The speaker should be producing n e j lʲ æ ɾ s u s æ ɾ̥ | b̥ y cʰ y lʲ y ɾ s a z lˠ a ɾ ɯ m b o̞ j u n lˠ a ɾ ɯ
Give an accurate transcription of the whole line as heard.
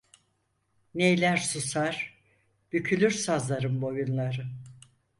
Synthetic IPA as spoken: n e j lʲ æ ɾ s u s a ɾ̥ | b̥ y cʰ y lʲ y ɾ s a z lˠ a ɾ ɯ m b o̞ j u n lˠ a ɾ ɯ